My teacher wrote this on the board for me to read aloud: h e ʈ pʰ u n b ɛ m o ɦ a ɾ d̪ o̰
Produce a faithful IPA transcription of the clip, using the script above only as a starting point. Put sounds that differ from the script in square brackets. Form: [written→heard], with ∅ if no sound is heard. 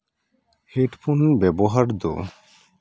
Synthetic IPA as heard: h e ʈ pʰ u n b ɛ [m→b] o ɦ a ɾ d̪ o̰